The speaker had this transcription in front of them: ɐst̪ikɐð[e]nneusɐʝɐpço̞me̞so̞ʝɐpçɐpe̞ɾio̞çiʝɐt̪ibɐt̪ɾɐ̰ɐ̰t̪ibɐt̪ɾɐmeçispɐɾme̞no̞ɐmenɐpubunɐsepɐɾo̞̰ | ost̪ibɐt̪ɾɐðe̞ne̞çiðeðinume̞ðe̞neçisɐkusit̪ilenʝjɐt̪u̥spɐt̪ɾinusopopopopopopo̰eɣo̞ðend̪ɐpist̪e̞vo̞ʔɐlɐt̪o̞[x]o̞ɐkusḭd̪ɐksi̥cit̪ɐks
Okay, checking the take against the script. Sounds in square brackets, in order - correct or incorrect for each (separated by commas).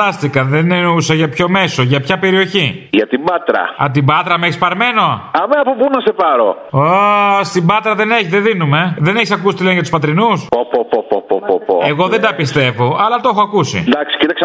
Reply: correct, correct